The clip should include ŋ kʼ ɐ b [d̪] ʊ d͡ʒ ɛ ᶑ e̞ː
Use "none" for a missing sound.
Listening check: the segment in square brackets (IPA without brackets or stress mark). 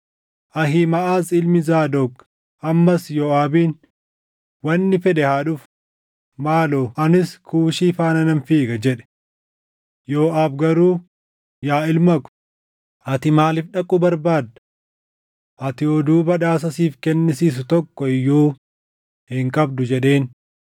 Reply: d̪